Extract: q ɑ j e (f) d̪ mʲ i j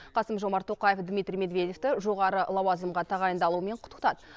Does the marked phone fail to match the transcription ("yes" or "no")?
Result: no